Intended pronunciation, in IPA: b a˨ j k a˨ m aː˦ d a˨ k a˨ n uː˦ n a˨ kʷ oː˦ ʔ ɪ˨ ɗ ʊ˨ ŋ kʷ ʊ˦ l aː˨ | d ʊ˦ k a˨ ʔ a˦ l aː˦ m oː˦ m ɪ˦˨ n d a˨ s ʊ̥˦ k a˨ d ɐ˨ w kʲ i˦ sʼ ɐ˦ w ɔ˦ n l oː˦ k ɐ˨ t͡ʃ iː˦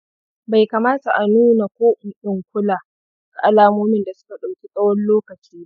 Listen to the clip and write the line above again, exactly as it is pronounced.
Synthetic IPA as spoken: b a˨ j k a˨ m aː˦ t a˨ ʔ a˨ n uː˦ n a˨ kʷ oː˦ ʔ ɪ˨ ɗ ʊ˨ ŋ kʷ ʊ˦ l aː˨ | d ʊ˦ k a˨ ʔ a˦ l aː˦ m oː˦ m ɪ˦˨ n d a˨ s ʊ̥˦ k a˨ ɗ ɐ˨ w kʲ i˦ sʼ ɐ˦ w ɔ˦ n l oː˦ k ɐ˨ t͡ʃ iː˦